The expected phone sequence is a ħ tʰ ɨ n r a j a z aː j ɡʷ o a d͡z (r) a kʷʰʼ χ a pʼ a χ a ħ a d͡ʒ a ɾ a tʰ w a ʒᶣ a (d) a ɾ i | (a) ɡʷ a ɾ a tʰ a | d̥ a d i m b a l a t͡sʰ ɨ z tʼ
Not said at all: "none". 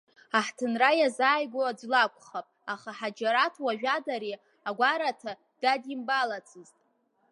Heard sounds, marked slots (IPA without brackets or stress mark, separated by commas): l, d, a